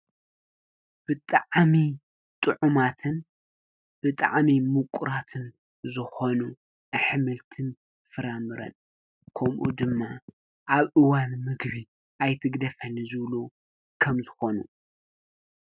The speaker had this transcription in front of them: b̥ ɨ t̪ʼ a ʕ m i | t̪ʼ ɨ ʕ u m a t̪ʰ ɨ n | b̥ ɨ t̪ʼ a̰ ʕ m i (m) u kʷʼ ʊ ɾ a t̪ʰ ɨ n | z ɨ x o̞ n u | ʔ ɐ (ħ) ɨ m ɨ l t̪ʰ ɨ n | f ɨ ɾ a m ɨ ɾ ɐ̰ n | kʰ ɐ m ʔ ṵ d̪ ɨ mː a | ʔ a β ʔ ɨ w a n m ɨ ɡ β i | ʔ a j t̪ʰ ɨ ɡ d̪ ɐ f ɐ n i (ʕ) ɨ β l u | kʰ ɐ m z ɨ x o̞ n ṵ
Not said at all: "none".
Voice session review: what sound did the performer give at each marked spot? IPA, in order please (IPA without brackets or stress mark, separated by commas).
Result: m, ħ, z